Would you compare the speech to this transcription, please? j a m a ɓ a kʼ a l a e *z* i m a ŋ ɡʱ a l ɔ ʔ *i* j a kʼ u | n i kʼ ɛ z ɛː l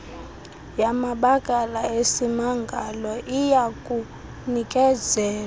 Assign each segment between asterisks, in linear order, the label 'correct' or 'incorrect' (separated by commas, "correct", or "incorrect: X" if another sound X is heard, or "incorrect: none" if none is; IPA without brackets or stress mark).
incorrect: s, correct